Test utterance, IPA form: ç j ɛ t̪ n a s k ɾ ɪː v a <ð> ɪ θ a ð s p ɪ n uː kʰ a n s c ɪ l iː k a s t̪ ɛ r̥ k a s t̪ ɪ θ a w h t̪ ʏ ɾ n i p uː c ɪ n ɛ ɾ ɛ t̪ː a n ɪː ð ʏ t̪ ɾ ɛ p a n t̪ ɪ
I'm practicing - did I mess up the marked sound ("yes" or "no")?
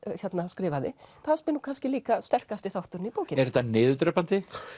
no